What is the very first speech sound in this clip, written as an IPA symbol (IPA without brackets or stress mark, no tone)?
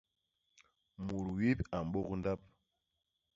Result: m